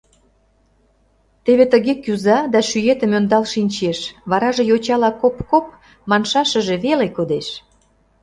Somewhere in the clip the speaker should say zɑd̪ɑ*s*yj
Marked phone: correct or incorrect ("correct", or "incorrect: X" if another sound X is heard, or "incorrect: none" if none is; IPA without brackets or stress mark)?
incorrect: ʃ